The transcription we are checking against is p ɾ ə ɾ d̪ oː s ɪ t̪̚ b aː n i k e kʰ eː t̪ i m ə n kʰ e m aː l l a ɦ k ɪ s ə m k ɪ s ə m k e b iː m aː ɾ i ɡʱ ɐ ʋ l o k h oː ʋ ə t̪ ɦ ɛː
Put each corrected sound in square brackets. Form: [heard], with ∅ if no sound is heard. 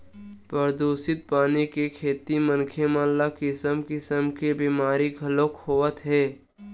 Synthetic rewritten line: p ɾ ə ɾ d̪ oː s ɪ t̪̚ [p] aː n i k e kʰ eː t̪ i m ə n kʰ e m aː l l a [∅] k ɪ s ə m k ɪ s ə m k e b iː m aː ɾ i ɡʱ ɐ [∅] l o k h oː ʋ ə t̪ ɦ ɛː